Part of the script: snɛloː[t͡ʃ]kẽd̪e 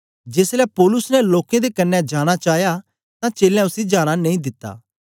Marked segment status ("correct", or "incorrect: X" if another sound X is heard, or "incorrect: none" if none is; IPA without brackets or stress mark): incorrect: none